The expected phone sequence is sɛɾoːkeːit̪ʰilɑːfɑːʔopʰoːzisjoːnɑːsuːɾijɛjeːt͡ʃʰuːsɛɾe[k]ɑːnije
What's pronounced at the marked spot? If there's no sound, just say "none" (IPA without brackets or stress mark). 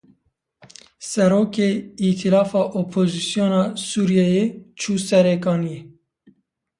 k